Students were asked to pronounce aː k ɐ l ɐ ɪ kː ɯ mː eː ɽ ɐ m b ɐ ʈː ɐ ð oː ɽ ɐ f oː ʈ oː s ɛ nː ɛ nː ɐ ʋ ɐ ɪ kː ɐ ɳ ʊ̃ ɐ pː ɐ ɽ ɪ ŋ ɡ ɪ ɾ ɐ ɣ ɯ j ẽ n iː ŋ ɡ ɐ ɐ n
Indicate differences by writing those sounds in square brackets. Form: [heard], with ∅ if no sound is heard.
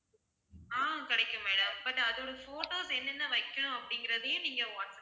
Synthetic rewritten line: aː k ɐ [ɽ] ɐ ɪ kː ɯ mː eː ɽ ɐ m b ɐ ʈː ɐ ð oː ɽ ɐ f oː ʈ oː s ɛ nː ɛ nː ɐ ʋ ɐ ɪ kː ɐ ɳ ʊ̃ ɐ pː ɐ ɽ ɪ ŋ ɡ ɪ ɾ ɐ [ð] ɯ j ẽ n iː ŋ ɡ ɐ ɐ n